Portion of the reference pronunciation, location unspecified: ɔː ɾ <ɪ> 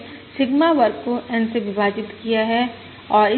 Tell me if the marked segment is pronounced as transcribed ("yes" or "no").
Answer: yes